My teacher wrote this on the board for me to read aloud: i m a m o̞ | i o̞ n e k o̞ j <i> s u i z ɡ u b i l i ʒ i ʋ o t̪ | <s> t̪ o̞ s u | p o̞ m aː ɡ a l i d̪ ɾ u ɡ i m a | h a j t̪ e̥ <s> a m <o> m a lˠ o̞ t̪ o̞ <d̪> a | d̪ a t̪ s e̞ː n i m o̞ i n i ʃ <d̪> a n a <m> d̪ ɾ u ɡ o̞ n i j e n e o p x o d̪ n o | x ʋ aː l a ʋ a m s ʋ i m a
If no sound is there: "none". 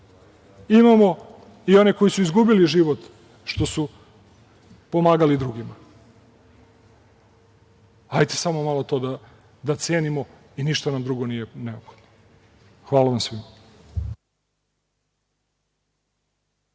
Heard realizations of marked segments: i, ʃ, s, o, d̪, t̪, m

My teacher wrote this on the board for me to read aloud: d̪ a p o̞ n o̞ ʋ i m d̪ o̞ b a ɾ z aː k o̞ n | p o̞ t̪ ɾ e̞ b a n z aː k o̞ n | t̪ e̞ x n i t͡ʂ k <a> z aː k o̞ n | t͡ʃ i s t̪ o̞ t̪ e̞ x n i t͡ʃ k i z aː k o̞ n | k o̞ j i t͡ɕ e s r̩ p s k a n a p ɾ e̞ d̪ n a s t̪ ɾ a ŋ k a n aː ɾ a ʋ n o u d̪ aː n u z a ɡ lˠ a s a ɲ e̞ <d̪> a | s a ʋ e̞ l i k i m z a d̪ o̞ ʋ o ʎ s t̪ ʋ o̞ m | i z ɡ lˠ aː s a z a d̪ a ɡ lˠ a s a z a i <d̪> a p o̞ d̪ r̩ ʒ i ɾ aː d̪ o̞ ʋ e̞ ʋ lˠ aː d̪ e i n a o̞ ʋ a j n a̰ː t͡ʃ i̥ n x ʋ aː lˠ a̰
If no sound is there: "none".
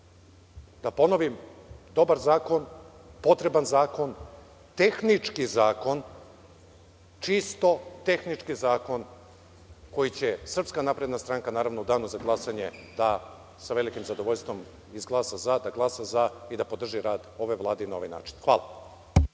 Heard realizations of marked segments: i, d̪, d̪

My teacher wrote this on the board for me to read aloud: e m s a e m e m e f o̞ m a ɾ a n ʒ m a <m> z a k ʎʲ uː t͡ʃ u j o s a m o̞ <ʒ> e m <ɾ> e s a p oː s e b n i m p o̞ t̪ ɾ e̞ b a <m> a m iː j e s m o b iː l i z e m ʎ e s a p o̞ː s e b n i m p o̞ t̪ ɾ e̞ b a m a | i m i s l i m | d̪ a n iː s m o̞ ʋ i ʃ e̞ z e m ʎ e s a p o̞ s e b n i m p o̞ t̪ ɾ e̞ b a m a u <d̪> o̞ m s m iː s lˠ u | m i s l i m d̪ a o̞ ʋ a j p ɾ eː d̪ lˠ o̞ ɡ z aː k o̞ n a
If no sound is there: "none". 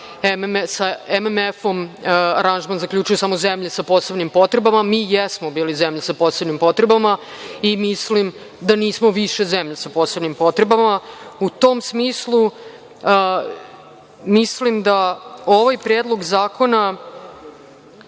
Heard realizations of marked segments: n, z, ʎ, m, t̪

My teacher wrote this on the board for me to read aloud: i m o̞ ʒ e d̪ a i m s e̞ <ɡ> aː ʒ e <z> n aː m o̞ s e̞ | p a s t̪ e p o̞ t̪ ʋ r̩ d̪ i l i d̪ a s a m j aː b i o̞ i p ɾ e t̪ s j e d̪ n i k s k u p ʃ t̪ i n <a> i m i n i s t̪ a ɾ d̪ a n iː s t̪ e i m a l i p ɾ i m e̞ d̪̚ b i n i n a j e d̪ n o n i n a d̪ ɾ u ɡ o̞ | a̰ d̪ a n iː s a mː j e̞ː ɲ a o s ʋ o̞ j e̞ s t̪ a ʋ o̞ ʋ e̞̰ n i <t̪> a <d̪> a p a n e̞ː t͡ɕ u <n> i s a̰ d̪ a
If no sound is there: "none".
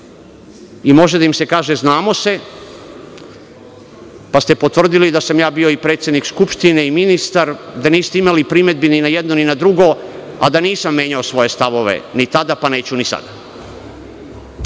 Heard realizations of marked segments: k, z, e, t̪, d̪, n

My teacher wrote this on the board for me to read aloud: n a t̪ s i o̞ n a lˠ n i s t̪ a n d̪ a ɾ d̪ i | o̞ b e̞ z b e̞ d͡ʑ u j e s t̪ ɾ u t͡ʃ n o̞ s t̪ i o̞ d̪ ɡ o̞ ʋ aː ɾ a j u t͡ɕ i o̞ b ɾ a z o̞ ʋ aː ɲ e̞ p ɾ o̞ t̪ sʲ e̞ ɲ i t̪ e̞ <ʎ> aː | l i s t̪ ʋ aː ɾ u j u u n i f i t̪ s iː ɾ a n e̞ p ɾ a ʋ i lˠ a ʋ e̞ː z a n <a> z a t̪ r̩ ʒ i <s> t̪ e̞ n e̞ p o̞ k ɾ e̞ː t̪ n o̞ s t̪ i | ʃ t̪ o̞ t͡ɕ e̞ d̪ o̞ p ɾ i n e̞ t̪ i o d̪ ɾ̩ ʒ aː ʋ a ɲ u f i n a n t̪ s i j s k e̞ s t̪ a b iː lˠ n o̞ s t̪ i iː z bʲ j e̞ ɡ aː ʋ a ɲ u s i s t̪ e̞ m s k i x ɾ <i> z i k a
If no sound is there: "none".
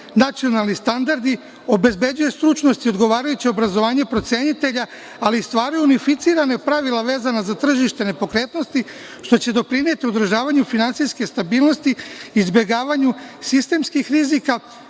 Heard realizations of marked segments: ʎ, a, ʃ, i

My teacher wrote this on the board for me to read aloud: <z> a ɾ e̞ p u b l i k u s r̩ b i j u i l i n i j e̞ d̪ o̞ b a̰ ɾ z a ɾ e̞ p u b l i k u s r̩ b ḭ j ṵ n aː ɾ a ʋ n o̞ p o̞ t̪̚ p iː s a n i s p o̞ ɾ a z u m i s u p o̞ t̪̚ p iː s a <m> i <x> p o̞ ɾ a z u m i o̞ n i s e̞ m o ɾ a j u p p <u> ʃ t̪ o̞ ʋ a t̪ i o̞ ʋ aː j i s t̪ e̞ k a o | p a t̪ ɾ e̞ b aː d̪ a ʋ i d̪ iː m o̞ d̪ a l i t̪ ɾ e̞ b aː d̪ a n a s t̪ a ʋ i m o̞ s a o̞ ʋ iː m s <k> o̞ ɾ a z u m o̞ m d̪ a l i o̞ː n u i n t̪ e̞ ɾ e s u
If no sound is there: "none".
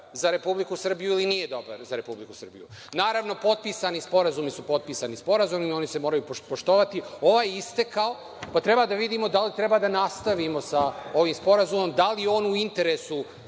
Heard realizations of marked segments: z, n, s, o, p

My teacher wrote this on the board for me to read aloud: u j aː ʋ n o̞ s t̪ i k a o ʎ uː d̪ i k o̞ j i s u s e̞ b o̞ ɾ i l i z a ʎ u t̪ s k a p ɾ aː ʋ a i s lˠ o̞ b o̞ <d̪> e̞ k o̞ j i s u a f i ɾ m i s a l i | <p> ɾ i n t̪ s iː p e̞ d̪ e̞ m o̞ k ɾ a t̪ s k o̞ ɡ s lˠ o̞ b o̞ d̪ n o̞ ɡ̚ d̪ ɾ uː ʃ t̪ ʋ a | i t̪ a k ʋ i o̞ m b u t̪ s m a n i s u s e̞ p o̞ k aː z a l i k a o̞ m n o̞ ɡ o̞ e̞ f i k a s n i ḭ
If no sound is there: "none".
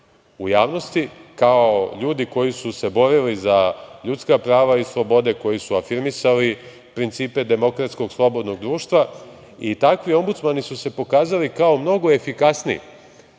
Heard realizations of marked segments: d̪, p

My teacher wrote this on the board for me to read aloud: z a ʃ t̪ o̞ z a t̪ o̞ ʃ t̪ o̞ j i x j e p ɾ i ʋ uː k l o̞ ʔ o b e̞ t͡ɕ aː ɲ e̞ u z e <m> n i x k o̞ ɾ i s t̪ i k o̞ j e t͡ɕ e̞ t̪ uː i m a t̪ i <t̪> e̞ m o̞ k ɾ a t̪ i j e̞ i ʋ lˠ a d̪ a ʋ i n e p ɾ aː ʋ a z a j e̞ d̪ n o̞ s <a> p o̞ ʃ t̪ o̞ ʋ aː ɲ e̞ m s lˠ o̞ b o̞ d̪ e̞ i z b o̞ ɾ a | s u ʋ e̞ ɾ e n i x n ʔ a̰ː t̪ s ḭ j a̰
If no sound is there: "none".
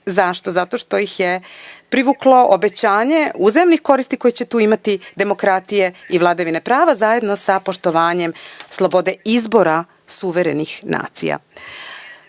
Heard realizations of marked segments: m, d̪, a

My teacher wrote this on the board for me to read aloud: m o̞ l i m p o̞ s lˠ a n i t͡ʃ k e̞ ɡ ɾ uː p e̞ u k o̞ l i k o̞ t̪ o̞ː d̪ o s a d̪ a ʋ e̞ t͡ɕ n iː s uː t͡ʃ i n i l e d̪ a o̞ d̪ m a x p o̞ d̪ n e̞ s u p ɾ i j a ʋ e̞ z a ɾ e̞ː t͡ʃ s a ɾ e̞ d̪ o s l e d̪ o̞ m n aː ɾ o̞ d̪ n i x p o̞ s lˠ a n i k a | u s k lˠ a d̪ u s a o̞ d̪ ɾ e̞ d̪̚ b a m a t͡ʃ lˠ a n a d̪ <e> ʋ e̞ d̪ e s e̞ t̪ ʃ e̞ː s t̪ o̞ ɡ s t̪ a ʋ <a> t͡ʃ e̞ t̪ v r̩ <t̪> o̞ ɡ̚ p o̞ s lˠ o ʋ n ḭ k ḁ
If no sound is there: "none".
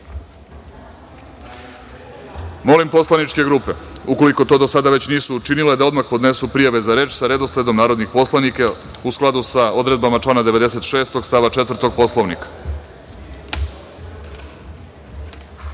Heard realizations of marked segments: e, a, t̪

